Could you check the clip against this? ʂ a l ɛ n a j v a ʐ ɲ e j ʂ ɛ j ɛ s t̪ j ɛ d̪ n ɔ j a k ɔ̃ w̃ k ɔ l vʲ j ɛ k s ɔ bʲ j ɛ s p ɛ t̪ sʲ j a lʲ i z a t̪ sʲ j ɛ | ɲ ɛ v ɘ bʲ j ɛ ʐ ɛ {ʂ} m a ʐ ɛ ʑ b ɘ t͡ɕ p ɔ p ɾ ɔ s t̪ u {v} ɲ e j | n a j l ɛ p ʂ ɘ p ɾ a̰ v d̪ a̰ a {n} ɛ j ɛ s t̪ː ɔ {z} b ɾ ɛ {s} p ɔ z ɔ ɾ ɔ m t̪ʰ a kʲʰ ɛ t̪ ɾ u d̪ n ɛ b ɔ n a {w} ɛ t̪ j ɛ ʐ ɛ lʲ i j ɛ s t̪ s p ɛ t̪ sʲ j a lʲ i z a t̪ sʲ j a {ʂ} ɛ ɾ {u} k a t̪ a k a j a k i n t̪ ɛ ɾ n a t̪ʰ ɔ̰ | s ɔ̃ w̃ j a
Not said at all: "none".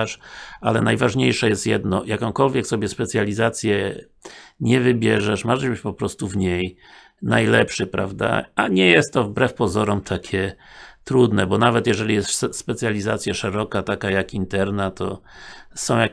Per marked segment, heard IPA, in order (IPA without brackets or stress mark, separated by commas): ʂ, v, ɲ, v, f, v, ʂ, ɔ